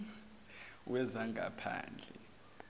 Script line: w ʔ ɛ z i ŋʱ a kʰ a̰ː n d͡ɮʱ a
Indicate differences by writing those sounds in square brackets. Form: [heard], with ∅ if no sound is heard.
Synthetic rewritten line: w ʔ ɛ z [a] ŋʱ a [pʰ] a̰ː n d͡ɮʱ [ɛ]